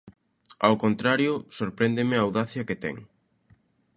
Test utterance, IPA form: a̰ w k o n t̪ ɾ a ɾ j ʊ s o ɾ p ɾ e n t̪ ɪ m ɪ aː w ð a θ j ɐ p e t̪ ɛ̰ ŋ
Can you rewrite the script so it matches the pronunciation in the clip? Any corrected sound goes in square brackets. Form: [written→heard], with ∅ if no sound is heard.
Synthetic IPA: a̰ w k o n t̪ ɾ a ɾ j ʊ s o ɾ p ɾ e n [t̪→d̪] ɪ m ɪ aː w ð a θ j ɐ [p→k] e t̪ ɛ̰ ŋ